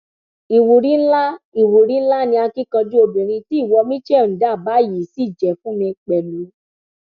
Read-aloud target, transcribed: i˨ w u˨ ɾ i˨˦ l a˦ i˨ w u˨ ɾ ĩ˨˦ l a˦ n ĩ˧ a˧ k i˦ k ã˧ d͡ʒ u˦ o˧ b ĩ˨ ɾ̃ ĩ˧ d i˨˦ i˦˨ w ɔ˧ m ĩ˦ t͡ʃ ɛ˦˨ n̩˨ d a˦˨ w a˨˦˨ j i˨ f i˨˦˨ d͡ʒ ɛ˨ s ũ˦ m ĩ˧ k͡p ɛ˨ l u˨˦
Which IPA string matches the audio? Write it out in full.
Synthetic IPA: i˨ w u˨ ɾ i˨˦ l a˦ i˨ w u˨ ɾ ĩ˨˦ l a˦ n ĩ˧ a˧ k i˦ k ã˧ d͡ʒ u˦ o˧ b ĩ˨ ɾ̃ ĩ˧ t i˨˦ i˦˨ w ɔ˧ m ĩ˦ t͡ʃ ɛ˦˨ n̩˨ d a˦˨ b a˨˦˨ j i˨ s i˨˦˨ d͡ʒ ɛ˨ f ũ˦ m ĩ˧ k͡p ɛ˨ l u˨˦